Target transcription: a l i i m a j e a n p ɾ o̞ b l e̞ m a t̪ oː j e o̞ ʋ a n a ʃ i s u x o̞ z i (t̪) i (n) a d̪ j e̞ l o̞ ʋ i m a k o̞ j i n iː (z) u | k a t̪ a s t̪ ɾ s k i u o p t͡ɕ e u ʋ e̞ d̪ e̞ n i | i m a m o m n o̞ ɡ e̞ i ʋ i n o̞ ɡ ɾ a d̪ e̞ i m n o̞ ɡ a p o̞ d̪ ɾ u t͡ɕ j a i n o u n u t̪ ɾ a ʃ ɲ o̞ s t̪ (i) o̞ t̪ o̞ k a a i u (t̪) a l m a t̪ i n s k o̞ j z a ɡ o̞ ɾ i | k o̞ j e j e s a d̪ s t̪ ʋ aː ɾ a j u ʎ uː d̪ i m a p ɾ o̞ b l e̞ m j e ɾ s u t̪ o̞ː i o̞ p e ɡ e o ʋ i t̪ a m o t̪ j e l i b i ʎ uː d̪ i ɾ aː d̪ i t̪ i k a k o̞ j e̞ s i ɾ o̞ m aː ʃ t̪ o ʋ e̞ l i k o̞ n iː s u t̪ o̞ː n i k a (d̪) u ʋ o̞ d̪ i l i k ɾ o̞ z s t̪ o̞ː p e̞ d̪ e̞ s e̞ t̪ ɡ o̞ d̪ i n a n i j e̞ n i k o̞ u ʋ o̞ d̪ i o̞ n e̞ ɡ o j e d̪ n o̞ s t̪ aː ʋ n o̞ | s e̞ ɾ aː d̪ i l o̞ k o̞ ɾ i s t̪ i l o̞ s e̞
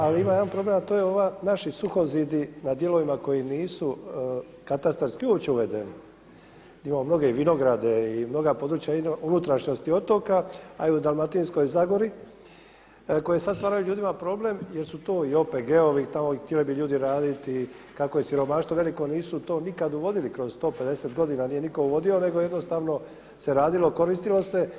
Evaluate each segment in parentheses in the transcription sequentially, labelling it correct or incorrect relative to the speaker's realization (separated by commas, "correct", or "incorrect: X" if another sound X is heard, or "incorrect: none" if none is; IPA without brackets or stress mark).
incorrect: d̪, correct, incorrect: s, correct, incorrect: d̪, correct